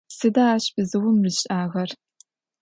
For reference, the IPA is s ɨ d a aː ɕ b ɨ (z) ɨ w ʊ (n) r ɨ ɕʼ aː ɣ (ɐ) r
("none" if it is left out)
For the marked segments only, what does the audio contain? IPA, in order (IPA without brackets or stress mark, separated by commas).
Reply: z, m, ɐ